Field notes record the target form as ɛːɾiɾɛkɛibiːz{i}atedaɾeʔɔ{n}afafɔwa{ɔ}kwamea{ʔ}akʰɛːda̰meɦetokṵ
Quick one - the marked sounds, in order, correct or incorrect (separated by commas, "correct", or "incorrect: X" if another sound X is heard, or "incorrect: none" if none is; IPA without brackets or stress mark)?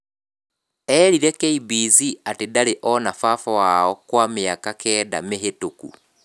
correct, correct, correct, incorrect: k